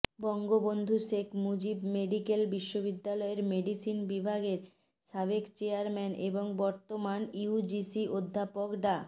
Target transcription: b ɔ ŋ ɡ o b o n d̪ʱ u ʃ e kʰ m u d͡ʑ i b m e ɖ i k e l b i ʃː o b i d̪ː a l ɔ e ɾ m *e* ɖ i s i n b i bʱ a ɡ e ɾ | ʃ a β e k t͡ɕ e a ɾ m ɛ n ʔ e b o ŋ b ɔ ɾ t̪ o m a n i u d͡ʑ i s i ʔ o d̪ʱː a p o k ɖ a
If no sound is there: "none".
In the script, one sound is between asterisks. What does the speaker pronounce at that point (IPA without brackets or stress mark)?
e